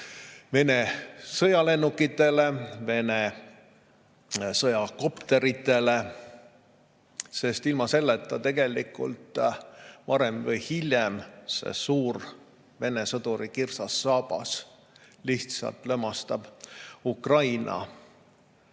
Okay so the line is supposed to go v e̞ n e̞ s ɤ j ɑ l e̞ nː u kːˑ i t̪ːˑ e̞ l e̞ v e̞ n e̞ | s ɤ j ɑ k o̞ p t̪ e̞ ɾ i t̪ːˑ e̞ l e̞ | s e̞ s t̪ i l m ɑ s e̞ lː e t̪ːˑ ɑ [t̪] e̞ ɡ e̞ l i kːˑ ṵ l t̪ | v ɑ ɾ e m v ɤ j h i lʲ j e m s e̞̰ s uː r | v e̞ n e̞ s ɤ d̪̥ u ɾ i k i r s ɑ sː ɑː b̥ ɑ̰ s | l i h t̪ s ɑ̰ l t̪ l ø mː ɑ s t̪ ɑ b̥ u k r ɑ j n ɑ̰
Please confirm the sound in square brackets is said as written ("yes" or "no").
yes